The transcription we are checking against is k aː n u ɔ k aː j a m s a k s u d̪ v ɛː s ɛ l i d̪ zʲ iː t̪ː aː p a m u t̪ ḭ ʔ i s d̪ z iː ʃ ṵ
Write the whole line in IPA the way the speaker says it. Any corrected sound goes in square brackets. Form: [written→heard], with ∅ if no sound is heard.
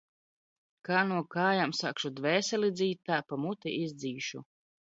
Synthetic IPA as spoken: k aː n u ɔ k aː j a m s a k [s→ʃ] u d̪ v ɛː s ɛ l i d̪ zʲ iː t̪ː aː p a m u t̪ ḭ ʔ i [s→z] d̪ z iː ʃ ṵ